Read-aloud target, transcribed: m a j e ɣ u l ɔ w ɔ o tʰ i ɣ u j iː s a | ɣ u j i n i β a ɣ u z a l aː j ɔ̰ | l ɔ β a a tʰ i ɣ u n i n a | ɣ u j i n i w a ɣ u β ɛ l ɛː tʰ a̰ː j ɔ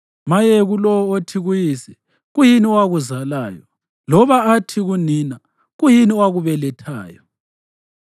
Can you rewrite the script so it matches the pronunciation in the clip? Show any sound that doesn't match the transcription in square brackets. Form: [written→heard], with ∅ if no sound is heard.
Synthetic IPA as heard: m a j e ɣ u l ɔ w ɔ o tʰ i ɣ u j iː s [a→ɛ] | ɣ u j i n i [β→w] a ɣ u z a l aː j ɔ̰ | l ɔ β a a tʰ i ɣ u n i n a | ɣ u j i n i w a ɣ u β ɛ l [ɛː→ɛ] tʰ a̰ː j ɔ